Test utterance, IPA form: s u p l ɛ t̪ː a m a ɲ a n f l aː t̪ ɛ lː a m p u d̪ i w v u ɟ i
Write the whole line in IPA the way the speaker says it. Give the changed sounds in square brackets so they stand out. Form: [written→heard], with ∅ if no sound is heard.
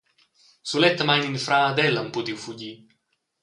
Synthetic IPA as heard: s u [p→∅] l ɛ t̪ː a m a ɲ [a→i] n f [l→ɾ] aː [t̪→d̪] ɛ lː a m p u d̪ i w [v→f] u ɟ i